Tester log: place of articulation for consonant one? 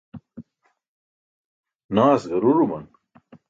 alveolar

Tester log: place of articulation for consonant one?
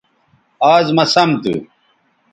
alveolar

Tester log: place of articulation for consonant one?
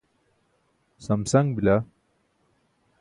alveolar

